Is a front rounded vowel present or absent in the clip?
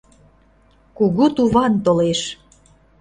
absent